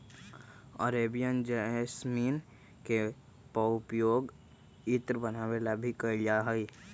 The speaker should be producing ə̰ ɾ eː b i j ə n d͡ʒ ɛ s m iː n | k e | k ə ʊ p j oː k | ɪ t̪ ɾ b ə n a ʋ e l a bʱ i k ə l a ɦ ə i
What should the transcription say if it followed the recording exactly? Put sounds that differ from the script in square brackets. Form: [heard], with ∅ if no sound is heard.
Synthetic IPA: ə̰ ɾ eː b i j ə n d͡ʒ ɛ s m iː n | k e | [p] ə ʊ p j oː [ɡ] | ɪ t̪ ɾ b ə n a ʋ e l a bʱ i k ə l a ɦ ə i